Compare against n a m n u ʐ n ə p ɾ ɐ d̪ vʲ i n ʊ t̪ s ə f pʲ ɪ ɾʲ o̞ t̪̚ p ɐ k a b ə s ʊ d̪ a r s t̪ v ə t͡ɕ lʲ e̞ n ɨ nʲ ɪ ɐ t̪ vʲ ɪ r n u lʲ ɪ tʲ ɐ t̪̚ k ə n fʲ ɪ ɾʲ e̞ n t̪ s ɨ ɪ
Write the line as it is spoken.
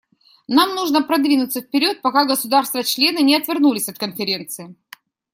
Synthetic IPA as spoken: n a m n u ʐ n ə p ɾ ɐ d̪ vʲ i n ʊ t̪ s ə f pʲ ɪ ɾʲ o̞ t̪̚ p ɐ k a ɡ ə s ʊ d̪ a r s t̪ v ə t͡ɕ lʲ e̞ n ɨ nʲ ɪ ɐ t̪ vʲ ɪ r n u lʲ ɪ sʲ ɐ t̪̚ k ə n fʲ ɪ ɾʲ e̞ n t̪ s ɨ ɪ